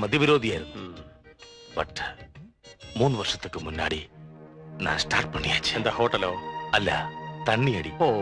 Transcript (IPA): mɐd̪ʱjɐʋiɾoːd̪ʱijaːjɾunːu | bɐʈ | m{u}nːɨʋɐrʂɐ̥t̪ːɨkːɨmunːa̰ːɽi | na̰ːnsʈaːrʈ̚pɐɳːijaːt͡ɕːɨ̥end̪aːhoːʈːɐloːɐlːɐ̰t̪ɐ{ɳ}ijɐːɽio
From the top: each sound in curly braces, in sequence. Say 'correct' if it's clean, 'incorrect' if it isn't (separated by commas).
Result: incorrect, incorrect